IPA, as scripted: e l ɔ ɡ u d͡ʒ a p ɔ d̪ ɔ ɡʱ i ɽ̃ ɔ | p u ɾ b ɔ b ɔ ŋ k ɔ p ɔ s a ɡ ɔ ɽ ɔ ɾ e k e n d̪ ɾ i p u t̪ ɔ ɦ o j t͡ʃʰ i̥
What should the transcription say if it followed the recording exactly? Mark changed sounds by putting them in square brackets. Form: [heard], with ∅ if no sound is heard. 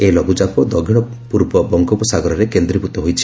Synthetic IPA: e l ɔ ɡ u d͡ʒ a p ɔ d̪ ɔ ɡʱ i ɽ̃ ɔ | p u ɾ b ɔ b ɔ ŋ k ɔ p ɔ s a ɡ ɔ [ɾ] ɔ ɾ e k e n d̪ ɾ i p u t̪ ɔ ɦ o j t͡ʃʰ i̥